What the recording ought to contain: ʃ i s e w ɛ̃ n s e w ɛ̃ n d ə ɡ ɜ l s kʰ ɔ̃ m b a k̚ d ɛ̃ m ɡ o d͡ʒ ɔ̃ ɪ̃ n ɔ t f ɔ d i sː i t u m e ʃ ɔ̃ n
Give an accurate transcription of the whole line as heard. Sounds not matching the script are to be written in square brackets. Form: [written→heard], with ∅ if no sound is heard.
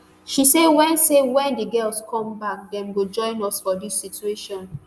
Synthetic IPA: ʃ i s e w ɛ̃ n s e w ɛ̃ n d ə ɡ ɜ l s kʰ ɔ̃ m b a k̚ d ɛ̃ m ɡ o d͡ʒ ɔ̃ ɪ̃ n ɔ [t→s] f ɔ d i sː i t u [m→∅] e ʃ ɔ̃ n

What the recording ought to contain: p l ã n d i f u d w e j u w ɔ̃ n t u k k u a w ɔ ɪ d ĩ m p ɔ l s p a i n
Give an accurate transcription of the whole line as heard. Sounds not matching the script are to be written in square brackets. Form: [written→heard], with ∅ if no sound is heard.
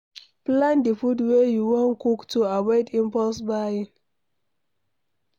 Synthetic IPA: p l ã n d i f u d w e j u w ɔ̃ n [t→k] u k [k→t] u a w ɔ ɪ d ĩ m p ɔ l s [p→b] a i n

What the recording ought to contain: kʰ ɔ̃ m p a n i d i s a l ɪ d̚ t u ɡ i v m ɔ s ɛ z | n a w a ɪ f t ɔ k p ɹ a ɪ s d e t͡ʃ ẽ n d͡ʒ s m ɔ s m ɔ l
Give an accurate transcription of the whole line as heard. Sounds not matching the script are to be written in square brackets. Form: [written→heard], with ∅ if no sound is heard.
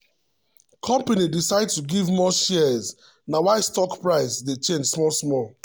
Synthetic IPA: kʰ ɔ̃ m p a n i d i s a [l→∅] ɪ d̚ t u ɡ i v m ɔ [s→ʃ] ɛ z | n a w a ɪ [f→s] t ɔ k p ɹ a ɪ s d e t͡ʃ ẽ n d͡ʒ s m ɔ s m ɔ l

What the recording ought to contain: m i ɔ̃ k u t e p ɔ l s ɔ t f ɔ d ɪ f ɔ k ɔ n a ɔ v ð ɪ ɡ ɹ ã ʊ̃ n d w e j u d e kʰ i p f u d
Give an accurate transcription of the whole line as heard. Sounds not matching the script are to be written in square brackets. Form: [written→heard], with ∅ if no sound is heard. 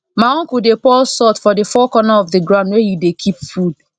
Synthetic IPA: m [i→a] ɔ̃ k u [t→d] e p ɔ l s ɔ t f ɔ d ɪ f ɔ k ɔ n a ɔ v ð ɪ ɡ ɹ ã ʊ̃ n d w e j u d e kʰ i p f u d

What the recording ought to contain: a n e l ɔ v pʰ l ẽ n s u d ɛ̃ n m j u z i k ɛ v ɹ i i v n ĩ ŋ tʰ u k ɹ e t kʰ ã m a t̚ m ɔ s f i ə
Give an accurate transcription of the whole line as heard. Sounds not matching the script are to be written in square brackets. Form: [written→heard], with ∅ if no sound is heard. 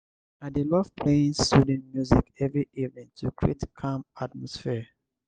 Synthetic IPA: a [n→d] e l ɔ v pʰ l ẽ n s u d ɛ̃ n m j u z i k ɛ v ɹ i i v n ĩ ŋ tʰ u k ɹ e t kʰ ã m a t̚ m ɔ s f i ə

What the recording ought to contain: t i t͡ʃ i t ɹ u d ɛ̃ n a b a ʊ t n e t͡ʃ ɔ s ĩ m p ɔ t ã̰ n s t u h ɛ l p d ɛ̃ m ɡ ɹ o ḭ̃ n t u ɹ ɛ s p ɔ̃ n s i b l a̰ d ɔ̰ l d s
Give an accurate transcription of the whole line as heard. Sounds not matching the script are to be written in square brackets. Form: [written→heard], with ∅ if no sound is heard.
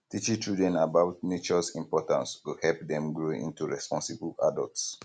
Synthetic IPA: t i t͡ʃ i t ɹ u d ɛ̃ n a b a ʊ t n e t͡ʃ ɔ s ĩ m p ɔ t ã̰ n s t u h ɛ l p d ɛ̃ m ɡ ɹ o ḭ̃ n t u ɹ ɛ s p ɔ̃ n s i b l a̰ d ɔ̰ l [d→t] s

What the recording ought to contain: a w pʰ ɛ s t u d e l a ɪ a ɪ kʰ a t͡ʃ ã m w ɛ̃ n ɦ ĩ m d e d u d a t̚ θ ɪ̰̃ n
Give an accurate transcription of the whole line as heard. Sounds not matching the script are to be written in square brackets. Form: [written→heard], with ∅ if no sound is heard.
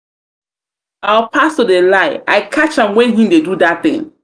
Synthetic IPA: a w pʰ [ɛ→a] s t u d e l a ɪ a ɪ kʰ a t͡ʃ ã m w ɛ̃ n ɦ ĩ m d e d u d a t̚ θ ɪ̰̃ [n→ŋ]

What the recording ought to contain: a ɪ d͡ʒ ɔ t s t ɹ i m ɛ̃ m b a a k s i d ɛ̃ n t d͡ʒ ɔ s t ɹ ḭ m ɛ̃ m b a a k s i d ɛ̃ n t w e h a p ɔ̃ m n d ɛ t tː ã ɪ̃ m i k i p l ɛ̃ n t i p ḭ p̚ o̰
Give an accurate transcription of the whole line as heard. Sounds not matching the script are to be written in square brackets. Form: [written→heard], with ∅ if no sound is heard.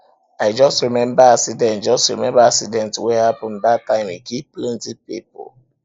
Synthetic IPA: a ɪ d͡ʒ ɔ [t→∅] s t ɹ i m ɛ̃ m b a a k s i d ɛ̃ n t d͡ʒ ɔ s t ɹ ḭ m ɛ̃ m b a a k s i d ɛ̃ n t w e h a p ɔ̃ [m→∅] n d [ɛ→a] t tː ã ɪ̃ m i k i p l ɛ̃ n t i p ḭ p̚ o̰

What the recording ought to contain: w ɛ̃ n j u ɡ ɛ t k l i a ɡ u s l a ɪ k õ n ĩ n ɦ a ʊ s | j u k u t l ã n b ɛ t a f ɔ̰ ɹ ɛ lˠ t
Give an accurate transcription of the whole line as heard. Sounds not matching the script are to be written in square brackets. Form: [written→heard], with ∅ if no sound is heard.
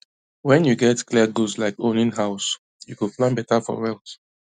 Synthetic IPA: w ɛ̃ n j u ɡ ɛ t k l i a ɡ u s l a ɪ k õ n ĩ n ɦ a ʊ s | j u k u [t→p] l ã n b ɛ t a f ɔ̰ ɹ ɛ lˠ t

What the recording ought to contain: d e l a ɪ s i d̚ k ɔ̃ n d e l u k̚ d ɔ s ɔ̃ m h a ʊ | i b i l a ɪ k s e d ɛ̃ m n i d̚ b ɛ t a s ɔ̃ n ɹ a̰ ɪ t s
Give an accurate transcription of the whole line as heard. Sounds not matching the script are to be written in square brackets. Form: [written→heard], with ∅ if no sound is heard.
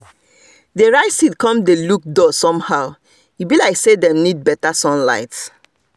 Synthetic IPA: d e [l→ɹ] a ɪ s i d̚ k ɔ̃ [n→m] d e l u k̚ d ɔ s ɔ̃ m h a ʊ | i b i l a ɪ k s e d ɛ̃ m n i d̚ b ɛ t a s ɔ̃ n [ɹ→l] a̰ ɪ t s

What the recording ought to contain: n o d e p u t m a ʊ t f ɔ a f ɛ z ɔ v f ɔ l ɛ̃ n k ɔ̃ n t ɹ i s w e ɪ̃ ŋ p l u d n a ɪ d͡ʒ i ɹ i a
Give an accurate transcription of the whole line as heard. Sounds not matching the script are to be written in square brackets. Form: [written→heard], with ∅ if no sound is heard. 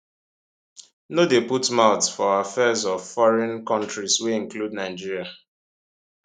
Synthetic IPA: n o d e p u t m a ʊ t f ɔ a f ɛ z ɔ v f ɔ [l→ɹ] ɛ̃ n k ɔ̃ n t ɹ i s w e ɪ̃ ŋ [p→k] l u d n a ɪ d͡ʒ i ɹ i a

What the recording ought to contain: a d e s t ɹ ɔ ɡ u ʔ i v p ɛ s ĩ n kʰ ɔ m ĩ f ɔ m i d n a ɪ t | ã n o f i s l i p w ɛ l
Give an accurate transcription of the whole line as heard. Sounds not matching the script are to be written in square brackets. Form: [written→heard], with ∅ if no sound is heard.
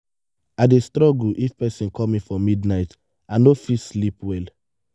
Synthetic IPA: a d e s t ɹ ɔ ɡ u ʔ i [v→f] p ɛ s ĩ n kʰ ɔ m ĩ f ɔ m i d n a ɪ t | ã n o f i s l i p w ɛ l

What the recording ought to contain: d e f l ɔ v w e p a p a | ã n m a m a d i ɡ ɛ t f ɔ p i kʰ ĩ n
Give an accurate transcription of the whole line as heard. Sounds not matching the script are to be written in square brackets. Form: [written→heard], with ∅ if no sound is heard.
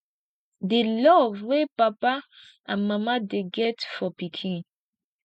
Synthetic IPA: d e [f→∅] l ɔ v w e p a p a | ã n m a m a d [i→e] ɡ ɛ t f ɔ p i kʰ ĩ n

